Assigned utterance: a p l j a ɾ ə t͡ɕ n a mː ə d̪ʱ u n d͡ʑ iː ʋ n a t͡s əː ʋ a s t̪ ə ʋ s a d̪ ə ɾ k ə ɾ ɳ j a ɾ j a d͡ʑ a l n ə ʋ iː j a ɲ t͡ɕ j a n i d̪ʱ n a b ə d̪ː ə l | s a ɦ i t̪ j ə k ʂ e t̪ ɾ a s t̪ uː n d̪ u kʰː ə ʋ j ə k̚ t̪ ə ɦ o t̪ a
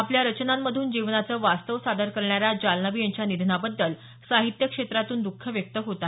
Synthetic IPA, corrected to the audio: a p l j a ɾ ə t͡ɕ n a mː ə d̪ʱ uː n d͡ʑ i ʋ n a t͡s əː ʋ a s t̪ ə ʋ s a d̪ ə ɾ k ə ɾ ɳ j a ɾ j a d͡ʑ a l n ə ʋ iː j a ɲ t͡ɕ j a n i d̪ʱ n a b ə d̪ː ə l | s a ɦ i t̪ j ə k ʂ e t̪ ɾ a t̪ uː n d̪ u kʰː ə ʋ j ə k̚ t̪ ə ɦ o t̪ a